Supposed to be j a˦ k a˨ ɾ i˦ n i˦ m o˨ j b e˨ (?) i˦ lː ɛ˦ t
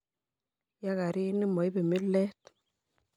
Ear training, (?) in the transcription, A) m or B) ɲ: A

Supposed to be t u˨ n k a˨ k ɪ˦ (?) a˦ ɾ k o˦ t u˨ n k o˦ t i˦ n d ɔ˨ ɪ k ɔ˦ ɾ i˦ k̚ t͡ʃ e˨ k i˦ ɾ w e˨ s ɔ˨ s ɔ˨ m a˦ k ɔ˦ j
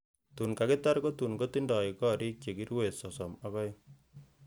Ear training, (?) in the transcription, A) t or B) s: A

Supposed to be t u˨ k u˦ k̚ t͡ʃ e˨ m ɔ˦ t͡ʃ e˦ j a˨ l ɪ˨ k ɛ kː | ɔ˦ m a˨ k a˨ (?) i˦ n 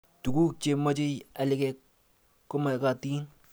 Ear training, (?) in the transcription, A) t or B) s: A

